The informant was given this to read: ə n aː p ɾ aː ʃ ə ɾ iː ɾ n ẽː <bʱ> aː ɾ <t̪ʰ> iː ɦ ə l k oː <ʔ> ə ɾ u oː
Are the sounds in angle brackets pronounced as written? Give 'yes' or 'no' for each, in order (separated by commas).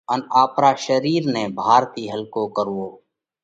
yes, no, no